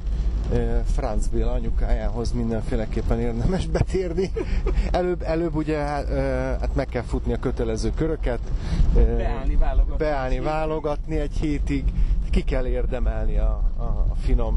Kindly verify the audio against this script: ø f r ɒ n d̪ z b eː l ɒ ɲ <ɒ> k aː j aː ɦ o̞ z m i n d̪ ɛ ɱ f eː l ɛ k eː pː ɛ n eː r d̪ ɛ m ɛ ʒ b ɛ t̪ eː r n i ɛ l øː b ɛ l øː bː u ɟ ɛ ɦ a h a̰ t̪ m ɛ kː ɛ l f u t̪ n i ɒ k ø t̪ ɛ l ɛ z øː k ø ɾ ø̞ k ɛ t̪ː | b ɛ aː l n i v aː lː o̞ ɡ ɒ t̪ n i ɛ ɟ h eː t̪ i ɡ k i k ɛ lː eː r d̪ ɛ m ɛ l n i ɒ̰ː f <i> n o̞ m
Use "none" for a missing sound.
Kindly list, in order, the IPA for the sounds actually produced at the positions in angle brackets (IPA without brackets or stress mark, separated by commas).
u, i